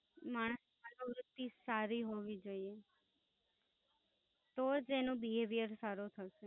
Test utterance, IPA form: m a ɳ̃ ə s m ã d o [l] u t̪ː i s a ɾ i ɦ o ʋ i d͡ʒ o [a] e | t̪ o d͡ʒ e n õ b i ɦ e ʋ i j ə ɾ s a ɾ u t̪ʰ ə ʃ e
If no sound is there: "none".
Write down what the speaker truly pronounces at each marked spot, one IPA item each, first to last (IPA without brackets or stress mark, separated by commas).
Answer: ɾ, i